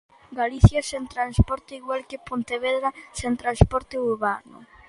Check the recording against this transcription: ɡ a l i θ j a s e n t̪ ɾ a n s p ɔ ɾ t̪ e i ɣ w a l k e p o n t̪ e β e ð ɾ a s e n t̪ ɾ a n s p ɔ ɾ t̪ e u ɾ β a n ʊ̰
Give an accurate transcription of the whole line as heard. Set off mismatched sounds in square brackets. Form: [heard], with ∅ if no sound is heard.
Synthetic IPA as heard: ɡ a l i θ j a s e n t̪ ɾ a n s p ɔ ɾ t̪ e i ɣ w a l k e p o n t̪ e β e ð ɾ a s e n t̪ ɾ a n s p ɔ ɾ t̪ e u ɾ β a n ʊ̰